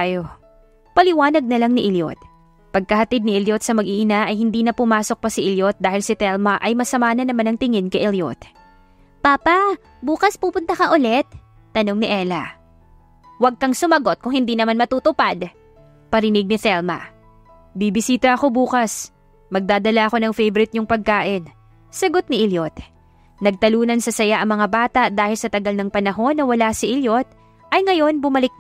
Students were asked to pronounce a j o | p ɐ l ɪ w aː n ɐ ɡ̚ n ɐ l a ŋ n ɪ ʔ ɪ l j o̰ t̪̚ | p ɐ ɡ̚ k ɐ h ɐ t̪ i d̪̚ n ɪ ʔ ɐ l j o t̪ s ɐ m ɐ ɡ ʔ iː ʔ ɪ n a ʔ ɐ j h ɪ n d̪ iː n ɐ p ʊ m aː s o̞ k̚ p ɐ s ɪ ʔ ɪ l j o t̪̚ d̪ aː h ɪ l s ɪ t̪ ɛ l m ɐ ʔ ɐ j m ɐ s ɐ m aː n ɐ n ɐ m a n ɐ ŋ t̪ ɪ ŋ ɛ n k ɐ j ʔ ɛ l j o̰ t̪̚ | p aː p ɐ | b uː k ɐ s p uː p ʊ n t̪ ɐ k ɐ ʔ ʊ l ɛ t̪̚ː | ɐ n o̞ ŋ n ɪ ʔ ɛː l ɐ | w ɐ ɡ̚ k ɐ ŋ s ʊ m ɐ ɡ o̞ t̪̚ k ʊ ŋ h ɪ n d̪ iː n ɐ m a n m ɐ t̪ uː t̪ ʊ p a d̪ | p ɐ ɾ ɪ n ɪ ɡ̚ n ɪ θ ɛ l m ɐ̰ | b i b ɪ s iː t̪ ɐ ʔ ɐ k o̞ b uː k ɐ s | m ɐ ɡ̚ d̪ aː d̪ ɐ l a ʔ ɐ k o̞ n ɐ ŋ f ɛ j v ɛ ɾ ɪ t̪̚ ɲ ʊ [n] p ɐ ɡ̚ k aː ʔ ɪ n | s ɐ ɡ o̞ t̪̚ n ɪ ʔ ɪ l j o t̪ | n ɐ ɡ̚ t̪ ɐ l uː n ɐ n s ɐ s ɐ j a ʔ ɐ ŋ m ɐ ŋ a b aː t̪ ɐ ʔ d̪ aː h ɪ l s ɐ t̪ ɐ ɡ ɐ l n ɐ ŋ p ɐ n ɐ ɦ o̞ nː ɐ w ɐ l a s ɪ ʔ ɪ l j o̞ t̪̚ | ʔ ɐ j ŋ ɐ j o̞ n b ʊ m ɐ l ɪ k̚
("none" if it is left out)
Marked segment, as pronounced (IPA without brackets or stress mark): ŋ